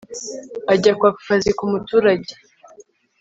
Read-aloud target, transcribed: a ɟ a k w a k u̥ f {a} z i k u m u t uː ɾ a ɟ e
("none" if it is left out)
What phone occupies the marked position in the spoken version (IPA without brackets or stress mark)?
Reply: a